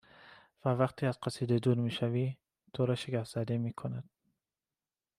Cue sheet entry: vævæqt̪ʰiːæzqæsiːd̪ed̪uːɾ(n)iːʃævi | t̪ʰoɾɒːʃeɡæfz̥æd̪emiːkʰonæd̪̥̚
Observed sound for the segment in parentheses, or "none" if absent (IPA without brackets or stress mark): m